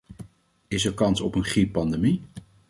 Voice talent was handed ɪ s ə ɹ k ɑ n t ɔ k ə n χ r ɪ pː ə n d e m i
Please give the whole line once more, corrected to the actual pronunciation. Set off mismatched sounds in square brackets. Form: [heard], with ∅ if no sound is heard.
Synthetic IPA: ɪ s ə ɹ k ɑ n [s] ɔ [p] ə n χ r [i] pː [ɑ] n d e m i